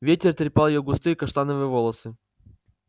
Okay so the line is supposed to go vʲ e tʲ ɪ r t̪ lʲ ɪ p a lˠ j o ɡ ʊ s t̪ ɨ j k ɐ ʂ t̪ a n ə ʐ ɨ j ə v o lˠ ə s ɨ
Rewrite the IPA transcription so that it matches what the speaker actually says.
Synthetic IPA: vʲ e tʲ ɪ r t̪ ɾʲ ɪ p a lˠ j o ɡ ʊ s t̪ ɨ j k ɐ ʂ t̪ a n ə v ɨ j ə v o lˠ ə s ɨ

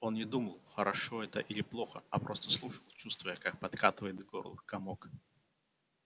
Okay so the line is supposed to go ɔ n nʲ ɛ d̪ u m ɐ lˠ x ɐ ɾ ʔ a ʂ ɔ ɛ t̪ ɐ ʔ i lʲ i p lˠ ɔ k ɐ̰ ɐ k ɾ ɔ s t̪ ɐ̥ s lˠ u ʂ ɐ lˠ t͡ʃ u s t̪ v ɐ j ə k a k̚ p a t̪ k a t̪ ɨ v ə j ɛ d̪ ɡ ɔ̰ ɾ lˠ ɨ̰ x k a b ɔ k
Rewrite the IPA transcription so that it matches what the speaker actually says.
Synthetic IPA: ɔ n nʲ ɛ d̪ u m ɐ lˠ x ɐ ɾ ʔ a ʂ ɔ ɛ t̪ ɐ ʔ i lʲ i p lˠ ɔ x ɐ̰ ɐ p ɾ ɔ s t̪ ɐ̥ s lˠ u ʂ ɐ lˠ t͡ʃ u s t̪ v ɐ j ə k a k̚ p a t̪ k a t̪ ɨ v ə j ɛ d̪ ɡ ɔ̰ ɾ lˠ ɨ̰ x k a m ɔ k

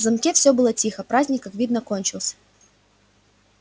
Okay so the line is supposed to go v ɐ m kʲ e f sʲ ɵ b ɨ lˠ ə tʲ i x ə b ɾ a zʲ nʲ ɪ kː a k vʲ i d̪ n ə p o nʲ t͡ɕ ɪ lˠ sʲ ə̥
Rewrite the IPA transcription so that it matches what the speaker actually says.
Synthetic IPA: z ɐ m kʲ e f sʲ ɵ b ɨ lˠ ə tʲ i x ə p ɾ a zʲ nʲ ɪ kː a k vʲ i d̪ n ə k o nʲ t͡ɕ ɪ lˠ sʲ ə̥

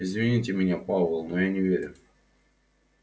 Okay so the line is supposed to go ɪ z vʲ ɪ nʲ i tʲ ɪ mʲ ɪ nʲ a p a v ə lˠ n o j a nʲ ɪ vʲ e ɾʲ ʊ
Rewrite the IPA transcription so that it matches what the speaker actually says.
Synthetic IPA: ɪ z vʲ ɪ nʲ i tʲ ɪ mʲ ɪ nʲ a p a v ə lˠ n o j a nʲ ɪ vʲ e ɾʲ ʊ

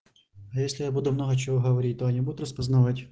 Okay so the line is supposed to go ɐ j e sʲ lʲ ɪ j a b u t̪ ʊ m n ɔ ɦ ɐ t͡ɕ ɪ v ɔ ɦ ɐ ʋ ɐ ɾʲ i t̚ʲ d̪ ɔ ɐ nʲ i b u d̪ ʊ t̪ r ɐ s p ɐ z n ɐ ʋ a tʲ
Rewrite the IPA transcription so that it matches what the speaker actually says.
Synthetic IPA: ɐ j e sʲ lʲ ɪ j a b u d̪ ʊ m n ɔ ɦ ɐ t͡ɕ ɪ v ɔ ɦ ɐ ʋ ɐ ɾʲ i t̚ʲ t̪ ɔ ɐ nʲ i b u d̪ ʊ t̪ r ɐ s p ɐ z n ɐ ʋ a tʲ

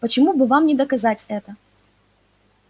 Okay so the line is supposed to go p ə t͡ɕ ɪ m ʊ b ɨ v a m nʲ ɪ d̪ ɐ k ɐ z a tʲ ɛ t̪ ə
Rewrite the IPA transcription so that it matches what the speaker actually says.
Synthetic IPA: p ə t͡ɕ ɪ m u b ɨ v a m nʲ ɪ d̪ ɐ k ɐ z a tʲ ɛ t̪ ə

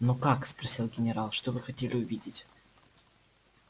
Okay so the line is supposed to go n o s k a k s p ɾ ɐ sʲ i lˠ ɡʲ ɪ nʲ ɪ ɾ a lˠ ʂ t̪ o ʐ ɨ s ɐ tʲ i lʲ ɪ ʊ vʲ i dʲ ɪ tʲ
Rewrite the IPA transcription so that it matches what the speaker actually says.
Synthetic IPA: n o k a k s p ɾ ɐ sʲ i lˠ ɡʲ ɪ nʲ ɪ ɾ a lˠ ʂ t̪ o v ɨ x ɐ tʲ e lʲ ɪ ʊ vʲ i dʲ ɪ tʲ

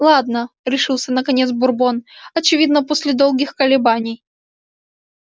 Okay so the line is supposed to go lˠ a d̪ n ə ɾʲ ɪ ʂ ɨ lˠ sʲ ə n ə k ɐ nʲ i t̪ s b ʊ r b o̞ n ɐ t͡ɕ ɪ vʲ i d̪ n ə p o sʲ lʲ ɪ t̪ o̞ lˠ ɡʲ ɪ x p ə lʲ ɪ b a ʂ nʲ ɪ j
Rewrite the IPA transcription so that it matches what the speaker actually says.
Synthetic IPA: lˠ a d̪ n ə ɾʲ ɪ ʂ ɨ lˠ sʲ ə n ə k ɐ nʲ e t̪ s b ʊ r b o̞ n ɐ t͡ɕ ɪ vʲ i d̪ n ə p o sʲ lʲ ɪ d̪ o̞ lˠ ɡʲ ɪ x k ə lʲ ɪ b a nʲ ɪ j

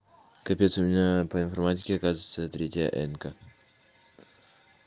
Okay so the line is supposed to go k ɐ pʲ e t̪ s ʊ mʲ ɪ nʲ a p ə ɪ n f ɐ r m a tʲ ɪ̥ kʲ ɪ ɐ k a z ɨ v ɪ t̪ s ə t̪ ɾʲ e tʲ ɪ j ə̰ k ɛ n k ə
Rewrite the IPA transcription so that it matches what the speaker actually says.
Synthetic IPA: k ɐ pʲ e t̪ s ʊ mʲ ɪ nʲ a p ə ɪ n f ɐ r m a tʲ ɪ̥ kʲ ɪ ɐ k a z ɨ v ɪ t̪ s ə t̪ ɾʲ e tʲ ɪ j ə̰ ʔ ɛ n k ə

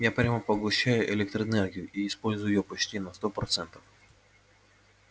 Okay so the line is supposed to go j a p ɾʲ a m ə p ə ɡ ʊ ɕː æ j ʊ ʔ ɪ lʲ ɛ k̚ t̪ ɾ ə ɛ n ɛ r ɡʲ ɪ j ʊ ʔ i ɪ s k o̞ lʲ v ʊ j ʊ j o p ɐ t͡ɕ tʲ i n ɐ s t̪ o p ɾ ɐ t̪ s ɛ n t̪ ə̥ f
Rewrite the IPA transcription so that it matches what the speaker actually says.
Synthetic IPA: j a p ɾʲ a m ə p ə ɡ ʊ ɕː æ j ʊ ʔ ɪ lʲ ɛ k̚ t̪ ɾ ə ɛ n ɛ r ɡʲ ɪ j ʊ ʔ i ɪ s p o̞ lʲ z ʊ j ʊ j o p ɐ t͡ɕ tʲ i n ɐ s t̪ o p ɾ ɐ t̪ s ɛ n t̪ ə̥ f

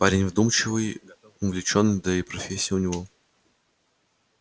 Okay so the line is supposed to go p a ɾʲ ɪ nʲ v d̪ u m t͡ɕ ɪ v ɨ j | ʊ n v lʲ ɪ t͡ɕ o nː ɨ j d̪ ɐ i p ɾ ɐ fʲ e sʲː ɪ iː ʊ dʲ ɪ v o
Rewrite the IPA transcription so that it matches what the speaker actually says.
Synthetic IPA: p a ɾʲ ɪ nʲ v d̪ u m t͡ɕ ɪ v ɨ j | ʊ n v lʲ ɪ t͡ɕ o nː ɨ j d̪ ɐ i p ɾ ɐ fʲ e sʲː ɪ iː ʊ nʲ ɪ v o

